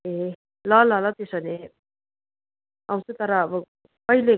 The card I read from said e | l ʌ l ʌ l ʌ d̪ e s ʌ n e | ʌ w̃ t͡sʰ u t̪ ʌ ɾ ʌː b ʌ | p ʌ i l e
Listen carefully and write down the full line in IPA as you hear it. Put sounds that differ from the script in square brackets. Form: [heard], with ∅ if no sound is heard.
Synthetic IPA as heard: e | l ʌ l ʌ l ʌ [t̪] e s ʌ n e | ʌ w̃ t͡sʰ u t̪ ʌ ɾ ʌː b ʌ | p ʌ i l e